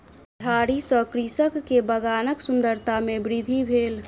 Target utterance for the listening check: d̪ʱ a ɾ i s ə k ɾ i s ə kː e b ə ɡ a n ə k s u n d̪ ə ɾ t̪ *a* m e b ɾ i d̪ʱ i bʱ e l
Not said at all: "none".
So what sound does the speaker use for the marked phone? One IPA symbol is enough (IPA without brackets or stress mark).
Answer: a